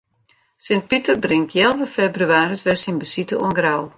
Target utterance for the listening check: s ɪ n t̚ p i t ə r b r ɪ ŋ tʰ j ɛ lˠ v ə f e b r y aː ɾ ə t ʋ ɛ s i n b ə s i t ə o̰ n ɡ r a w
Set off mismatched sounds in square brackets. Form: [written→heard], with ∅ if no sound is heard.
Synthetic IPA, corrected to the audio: s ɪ n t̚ p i t ə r b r ɪ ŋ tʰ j ɛ lˠ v ə f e b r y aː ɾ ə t ʋ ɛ s i n b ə s i t ə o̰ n ɡ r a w

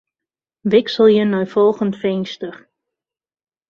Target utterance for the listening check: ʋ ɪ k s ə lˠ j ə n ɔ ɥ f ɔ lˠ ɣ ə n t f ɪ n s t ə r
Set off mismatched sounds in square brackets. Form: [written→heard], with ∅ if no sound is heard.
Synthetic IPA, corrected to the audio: ʋ ɪ k s ə lˠ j ə n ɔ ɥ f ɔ lˠ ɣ ə n t f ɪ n s t ə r

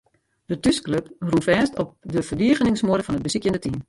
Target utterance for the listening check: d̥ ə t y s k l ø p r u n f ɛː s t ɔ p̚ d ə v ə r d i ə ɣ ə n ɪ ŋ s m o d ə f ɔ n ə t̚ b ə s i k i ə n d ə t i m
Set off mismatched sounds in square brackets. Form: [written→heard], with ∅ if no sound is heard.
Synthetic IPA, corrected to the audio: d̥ ə t y s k l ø p r u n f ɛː s t ɔ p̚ d ə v ə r d i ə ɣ ə n ɪ ŋ s m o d ə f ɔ n ə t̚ b ə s i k [i→j] ə n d ə t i m

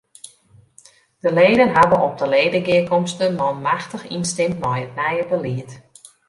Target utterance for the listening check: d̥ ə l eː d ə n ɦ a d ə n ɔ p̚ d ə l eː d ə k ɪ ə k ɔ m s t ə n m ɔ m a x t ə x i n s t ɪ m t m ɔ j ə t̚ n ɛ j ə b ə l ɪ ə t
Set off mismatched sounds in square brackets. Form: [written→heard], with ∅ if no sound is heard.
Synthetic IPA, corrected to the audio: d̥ ə l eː d ə n ɦ a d ə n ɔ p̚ d ə l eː d ə [k→ɡ] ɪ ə k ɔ m s t ə n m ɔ m a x t ə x i n s t ɪ m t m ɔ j ə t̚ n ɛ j ə b ə l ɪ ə t

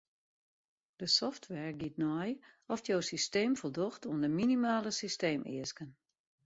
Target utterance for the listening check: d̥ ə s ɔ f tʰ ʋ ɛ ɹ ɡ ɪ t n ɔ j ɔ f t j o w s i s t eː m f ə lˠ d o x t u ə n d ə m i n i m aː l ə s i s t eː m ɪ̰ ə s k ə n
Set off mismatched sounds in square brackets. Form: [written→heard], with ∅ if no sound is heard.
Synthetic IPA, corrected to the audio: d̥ ə s ɔ f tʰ ʋ ɛ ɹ ɡ [ɪ→i] t n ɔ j ɔ f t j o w s i s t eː m f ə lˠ d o x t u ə n d ə m i n i m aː l ə s i s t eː m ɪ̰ ə s k ə n

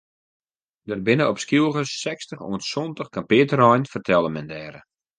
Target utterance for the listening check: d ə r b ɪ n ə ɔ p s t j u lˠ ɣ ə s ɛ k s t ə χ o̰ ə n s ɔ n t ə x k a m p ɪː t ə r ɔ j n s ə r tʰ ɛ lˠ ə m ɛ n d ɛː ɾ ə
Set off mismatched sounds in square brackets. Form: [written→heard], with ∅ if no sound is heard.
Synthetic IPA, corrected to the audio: d ə r b ɪ n ə ɔ p s [t→k] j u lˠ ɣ ə s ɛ k s t ə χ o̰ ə n s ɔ n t ə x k a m p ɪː t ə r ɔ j n [s→f] ə r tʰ ɛ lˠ ə m ɛ n d ɛː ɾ ə

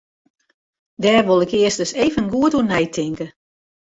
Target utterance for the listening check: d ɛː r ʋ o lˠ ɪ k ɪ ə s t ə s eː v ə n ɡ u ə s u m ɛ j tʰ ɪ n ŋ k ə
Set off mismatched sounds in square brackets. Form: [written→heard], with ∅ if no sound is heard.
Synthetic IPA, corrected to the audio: d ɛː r ʋ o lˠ ɪ k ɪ ə s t ə s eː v ə n ɡ u ə [s→t] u [m→n] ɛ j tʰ ɪ [n→∅] ŋ k ə

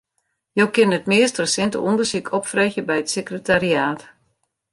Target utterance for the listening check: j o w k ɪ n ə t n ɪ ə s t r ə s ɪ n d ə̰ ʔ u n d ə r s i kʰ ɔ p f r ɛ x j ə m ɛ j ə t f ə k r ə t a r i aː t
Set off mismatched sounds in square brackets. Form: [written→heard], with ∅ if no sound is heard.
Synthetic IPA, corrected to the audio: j o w k ɪ n ə t [n→m] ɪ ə s t r ə s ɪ n [d→t] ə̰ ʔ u n d ə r s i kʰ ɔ p f r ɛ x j ə [m→b] ɛ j ə t [f→s] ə k r ə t a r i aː t

